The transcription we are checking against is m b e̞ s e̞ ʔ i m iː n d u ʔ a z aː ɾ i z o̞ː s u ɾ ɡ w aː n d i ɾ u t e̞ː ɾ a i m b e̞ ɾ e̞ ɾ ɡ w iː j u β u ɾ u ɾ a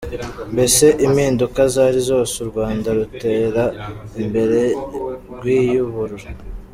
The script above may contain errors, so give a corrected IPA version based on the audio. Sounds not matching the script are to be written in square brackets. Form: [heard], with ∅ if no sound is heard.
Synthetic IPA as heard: m b e̞ s e̞ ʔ i m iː n d u [k] a z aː ɾ i z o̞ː s u ɾ ɡ w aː n d [a] ɾ u t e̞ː ɾ a i m b e̞ ɾ e̞ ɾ ɡ w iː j u β u ɾ u ɾ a